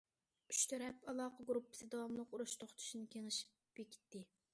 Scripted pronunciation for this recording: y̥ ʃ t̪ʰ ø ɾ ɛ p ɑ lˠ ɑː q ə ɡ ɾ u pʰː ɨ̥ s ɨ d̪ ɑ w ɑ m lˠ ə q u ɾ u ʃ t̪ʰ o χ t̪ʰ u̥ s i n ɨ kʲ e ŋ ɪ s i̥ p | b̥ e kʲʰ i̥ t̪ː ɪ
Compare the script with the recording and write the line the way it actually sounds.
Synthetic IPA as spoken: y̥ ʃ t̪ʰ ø ɾ ɛ p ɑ lˠ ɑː q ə ɡ ɾ u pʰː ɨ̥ s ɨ d̪ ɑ w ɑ m lˠ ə q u ɾ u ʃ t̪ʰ o χ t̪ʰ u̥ ʃ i n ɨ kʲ e ŋ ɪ ʃ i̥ p | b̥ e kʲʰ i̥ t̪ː ɪ